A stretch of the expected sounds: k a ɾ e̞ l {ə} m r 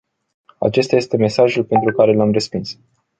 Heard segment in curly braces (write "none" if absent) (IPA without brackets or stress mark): a